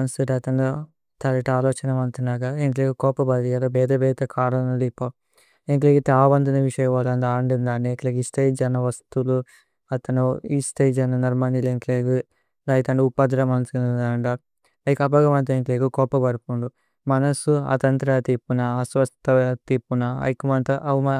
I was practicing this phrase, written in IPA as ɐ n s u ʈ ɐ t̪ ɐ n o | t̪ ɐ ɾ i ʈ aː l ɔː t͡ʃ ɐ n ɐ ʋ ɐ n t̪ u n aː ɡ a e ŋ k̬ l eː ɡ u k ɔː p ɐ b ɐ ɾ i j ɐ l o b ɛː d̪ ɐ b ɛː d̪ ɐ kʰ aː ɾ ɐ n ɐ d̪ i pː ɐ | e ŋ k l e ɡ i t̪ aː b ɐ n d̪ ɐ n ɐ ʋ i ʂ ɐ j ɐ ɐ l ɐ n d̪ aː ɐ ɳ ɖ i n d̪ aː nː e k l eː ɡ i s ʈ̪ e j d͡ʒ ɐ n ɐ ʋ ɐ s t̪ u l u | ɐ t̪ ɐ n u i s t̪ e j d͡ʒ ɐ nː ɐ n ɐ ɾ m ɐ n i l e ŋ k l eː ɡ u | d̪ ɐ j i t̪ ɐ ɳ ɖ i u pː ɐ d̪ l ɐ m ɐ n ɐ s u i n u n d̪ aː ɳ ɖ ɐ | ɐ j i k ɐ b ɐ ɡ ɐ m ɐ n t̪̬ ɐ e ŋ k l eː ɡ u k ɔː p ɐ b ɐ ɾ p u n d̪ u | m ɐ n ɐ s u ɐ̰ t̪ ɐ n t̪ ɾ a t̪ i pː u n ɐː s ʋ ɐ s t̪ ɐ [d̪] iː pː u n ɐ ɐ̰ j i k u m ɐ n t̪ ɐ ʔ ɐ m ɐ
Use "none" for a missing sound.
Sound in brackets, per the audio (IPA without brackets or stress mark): t̪